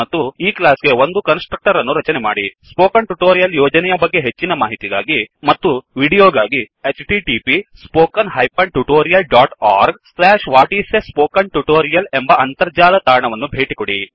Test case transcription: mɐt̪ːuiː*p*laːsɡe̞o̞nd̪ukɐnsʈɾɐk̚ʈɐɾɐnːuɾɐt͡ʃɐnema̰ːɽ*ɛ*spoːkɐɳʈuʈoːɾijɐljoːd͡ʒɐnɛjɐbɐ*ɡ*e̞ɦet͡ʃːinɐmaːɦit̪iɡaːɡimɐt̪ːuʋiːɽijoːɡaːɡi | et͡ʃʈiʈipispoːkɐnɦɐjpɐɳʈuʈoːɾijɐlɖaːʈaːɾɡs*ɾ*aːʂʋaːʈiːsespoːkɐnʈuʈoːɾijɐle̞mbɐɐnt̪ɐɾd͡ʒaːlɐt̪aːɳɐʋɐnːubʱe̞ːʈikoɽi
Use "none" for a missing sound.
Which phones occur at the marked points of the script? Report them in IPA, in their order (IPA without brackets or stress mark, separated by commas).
k, i, ɡː, l